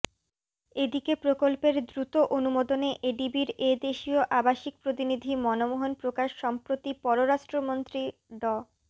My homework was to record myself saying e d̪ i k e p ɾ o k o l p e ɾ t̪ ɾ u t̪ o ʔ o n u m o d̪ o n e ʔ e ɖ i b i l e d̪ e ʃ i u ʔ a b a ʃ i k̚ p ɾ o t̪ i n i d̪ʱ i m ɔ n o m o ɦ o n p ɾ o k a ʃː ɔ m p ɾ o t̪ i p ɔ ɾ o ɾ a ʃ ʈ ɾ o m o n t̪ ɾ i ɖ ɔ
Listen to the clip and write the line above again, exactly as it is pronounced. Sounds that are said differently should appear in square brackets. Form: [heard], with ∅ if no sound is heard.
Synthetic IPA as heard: e d̪ i k e p ɾ o k o l p e ɾ [d̪] ɾ u t̪ o ʔ o n u m o d̪ o n e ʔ e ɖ i b i [ɾ] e d̪ e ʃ i [o] ʔ a b a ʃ i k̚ p ɾ o t̪ i n i d̪ʱ i m ɔ n o m o ɦ o n p ɾ o k a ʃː ɔ m p ɾ o t̪ i p ɔ ɾ o ɾ a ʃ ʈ ɾ o m o n t̪ ɾ i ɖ ɔ